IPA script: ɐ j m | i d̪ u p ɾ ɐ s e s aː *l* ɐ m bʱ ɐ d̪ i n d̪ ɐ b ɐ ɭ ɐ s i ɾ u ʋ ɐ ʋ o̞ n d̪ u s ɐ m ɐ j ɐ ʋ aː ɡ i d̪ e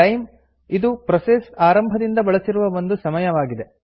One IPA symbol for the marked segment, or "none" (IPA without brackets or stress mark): ɾ